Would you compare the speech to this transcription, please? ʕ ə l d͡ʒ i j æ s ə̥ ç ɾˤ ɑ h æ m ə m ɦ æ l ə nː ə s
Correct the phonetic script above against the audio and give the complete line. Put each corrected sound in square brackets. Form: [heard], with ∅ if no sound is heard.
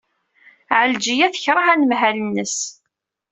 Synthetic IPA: ʕ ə l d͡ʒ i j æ [θ] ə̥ ç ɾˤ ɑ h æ [n] ə m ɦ æ l ə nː ə s